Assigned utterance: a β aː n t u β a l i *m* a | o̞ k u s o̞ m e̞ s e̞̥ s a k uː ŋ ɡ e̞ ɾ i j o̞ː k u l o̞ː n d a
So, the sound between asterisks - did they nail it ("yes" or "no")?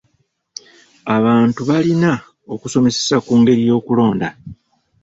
no